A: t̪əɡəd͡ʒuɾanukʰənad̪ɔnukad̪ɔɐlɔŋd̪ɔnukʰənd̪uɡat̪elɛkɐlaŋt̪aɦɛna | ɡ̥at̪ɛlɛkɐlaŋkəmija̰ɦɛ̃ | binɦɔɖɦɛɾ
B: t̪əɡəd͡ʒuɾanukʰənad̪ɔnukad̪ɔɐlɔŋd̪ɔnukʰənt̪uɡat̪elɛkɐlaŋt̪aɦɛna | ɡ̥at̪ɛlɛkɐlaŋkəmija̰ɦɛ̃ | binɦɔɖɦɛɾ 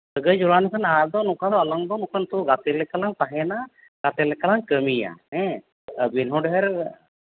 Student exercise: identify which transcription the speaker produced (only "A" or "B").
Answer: B